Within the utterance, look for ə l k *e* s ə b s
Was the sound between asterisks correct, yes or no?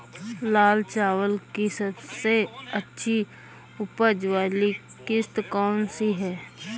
no